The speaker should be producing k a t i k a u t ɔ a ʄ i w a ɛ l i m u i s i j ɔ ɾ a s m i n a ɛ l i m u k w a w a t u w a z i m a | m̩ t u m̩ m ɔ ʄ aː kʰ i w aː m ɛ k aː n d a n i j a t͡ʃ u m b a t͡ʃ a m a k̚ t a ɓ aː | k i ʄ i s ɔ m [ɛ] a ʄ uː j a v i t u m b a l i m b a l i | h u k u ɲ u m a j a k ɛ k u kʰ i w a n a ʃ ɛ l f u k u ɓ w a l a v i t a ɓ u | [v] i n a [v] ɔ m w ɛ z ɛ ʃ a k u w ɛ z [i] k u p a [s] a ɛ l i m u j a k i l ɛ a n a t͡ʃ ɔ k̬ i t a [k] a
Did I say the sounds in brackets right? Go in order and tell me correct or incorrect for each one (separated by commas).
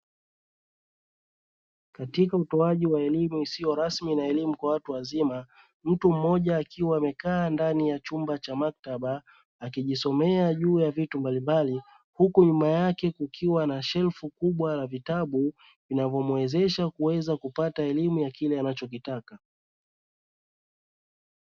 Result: correct, correct, correct, incorrect, incorrect, correct